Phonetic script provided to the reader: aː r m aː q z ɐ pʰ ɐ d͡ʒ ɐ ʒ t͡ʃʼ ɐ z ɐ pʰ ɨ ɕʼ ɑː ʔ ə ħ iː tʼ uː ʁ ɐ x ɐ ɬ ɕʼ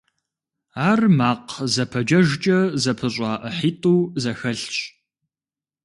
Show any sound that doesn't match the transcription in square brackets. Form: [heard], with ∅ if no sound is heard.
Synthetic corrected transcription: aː r m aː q z ɐ pʰ ɐ d͡ʒ ɐ ʒ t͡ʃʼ ɐ z ɐ pʰ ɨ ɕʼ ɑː ʔ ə ħ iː tʼ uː [z] ɐ x ɐ ɬ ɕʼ